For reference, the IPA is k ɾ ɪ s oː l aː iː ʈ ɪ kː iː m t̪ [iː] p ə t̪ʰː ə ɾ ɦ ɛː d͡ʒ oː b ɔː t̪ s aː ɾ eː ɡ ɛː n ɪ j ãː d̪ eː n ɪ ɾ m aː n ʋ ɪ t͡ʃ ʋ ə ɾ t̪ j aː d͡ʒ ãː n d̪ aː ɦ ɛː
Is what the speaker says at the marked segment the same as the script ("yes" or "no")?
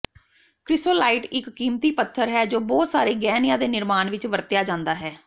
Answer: yes